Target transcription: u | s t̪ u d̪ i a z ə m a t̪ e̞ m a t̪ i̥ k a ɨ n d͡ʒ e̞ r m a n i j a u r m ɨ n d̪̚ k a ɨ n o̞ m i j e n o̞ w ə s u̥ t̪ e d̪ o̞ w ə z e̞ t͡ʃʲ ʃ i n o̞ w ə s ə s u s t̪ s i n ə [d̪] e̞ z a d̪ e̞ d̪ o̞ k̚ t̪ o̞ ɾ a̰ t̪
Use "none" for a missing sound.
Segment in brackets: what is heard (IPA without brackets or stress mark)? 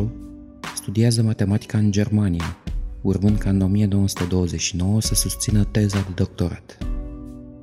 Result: t̪